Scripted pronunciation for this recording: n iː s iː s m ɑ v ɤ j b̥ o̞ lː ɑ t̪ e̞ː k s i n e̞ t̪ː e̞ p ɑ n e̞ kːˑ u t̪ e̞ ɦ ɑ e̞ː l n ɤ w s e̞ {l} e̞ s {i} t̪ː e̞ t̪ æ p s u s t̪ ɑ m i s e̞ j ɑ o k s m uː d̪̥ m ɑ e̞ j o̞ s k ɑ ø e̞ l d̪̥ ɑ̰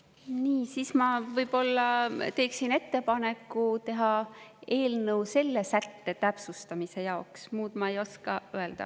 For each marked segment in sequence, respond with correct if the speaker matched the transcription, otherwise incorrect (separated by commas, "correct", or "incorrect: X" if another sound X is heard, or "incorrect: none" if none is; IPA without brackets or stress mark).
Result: incorrect: lː, incorrect: æ